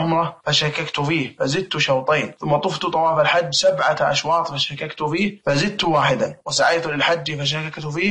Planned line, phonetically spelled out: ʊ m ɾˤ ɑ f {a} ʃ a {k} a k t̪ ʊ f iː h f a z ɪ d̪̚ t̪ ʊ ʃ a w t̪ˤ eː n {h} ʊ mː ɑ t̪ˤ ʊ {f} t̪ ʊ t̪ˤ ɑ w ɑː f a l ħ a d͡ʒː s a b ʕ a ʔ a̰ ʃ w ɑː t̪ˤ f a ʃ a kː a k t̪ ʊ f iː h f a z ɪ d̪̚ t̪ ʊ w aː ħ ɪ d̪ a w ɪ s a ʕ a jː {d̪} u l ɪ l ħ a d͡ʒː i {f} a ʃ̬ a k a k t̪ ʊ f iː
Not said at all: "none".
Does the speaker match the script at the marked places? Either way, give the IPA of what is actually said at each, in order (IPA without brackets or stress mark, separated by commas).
a, k, θ, f, t̪, f